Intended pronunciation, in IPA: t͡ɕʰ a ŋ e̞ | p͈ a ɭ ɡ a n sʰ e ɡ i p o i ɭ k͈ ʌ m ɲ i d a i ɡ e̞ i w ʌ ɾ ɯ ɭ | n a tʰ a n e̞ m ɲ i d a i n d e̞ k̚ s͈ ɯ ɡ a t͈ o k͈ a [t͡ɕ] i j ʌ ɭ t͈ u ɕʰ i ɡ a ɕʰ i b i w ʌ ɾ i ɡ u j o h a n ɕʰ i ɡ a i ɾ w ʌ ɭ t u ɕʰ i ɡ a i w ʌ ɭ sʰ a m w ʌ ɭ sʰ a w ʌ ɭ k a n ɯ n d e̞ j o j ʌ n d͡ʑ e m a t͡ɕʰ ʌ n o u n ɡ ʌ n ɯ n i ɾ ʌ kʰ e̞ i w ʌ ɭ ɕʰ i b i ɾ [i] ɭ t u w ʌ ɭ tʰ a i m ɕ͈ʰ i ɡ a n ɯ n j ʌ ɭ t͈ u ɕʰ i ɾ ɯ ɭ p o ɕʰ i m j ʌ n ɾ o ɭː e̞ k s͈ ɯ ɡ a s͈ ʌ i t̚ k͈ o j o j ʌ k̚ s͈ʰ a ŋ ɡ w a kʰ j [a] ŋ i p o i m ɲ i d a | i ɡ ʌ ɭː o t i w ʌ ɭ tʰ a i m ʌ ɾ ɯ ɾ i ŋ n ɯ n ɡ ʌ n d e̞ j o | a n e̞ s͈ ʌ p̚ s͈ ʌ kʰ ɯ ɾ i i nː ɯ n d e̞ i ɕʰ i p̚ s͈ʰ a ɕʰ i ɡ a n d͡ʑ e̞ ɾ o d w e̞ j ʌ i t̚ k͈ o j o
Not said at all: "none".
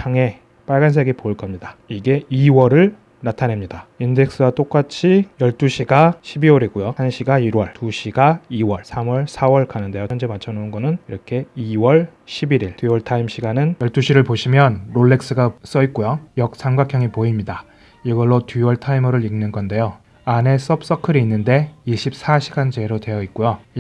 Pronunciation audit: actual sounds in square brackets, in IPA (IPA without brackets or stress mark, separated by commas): t͡ɕʰ, i, ʌ